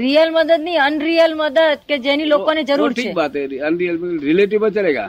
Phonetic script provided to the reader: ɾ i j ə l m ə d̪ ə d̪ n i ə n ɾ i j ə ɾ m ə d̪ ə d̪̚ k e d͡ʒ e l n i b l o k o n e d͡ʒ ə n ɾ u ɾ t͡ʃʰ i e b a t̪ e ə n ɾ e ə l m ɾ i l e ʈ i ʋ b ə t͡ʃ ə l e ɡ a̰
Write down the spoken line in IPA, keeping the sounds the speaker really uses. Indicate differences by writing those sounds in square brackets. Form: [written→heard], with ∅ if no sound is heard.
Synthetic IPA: ɾ i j ə l m ə d̪ ə d̪ n i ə n ɾ i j ə [ɾ→l] m ə d̪ ə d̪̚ k e d͡ʒ e [l→∅] n i [b→∅] l o k o n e d͡ʒ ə [n→∅] ɾ u ɾ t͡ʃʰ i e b a t̪ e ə n ɾ [e→i] ə l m ɾ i l e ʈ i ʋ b ə t͡ʃ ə l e ɡ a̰